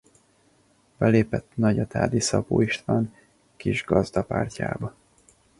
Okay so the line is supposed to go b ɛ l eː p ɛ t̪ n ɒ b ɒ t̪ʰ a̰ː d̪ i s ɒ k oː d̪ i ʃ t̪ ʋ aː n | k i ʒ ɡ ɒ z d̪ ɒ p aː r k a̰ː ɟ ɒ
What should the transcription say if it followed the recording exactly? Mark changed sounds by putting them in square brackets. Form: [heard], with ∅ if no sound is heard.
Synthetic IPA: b ɛ l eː p ɛ t̪ n ɒ [ɟ] ɒ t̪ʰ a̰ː d̪ i s ɒ [p] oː [∅] i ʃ t̪ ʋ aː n | k i ʒ ɡ ɒ z d̪ ɒ p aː r [c] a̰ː [b] ɒ